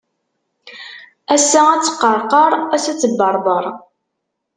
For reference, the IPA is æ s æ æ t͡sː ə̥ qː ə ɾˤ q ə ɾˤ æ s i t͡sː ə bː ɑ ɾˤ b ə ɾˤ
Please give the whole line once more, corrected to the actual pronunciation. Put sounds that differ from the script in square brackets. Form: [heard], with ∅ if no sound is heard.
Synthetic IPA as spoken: æ s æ æ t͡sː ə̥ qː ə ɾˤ q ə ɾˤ æ s [æ] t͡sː ə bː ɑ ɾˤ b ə ɾˤ